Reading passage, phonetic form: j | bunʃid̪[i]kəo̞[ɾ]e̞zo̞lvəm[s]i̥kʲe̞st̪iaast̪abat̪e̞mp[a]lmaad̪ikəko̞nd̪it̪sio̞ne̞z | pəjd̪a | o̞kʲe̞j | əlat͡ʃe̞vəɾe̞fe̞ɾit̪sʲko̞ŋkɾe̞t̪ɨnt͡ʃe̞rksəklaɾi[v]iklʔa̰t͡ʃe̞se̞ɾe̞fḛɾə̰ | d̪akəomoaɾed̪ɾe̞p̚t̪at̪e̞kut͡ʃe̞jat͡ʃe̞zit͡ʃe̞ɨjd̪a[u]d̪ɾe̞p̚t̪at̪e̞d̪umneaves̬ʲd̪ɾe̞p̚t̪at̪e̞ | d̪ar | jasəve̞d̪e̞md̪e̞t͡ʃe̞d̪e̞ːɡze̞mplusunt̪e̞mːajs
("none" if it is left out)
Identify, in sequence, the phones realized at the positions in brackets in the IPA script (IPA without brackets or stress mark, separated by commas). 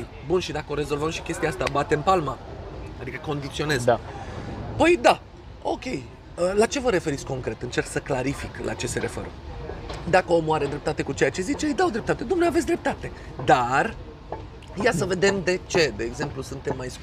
a, ɾ, ʃ, a, f, w